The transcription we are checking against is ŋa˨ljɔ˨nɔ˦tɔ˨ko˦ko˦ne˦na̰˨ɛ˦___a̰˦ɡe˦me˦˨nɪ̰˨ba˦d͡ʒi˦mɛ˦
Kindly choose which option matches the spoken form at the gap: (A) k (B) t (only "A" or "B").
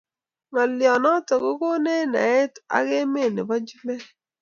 B